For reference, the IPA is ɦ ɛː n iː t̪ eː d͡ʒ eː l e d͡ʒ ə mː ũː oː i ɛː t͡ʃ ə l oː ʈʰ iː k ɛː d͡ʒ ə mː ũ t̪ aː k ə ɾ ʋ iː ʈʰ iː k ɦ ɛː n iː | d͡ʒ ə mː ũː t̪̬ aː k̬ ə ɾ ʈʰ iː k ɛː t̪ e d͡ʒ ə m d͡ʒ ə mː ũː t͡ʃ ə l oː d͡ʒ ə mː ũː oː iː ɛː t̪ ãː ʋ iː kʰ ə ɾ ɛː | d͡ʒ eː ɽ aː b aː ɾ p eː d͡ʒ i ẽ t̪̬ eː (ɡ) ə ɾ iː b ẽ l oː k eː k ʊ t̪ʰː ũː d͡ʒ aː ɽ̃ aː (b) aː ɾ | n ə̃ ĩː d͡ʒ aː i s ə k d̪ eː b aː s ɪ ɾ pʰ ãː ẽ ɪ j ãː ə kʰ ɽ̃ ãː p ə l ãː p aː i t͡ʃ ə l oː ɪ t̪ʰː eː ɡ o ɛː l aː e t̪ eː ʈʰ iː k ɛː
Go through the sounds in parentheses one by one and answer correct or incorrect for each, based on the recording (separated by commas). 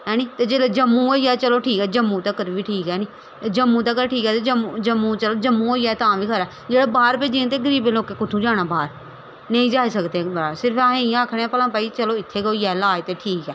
correct, correct